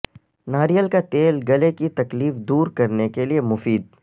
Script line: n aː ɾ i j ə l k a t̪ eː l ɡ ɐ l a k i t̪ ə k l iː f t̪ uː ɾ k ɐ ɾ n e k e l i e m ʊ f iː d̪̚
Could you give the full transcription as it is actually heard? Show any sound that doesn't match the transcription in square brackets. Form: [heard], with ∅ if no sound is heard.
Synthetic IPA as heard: n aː ɾ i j ə l k a t̪ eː l ɡ ɐ l [e] k i t̪ [ɐ] k l iː f [d̪] uː ɾ k ɐ ɾ n e k e l i e m ʊ f iː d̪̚